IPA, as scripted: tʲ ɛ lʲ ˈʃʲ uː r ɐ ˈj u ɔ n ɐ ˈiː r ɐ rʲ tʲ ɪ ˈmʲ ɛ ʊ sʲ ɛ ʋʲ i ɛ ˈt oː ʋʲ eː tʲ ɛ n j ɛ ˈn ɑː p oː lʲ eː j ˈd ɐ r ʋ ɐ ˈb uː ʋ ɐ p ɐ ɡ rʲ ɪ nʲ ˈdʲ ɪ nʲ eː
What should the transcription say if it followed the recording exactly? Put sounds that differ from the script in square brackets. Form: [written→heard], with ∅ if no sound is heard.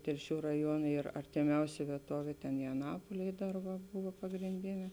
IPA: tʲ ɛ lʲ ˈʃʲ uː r ɐ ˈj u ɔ n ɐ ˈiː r ɐ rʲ tʲ ɪ ˈmʲ ɛ ʊ sʲ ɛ ʋʲ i ɛ ˈt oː ʋʲ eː tʲ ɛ n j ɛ ˈn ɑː p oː lʲ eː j ˈd ɐ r ʋ ɐ ˈb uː ʋ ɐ p ɐ ɡ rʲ ɪ nʲ ˈdʲ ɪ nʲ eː